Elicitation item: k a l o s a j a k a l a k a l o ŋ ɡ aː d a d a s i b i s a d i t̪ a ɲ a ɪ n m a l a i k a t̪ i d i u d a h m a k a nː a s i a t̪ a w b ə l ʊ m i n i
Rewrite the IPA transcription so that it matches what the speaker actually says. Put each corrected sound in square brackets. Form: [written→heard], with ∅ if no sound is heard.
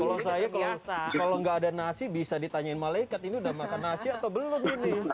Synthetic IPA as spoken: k a l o s a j a k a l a k a l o ŋ ɡ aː d a [d→n] a s i b i s a d i t̪ a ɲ a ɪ n m a l a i k a t̪ i [d→n] i u d a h m a k a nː a s i a t̪ a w b ə l ʊ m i n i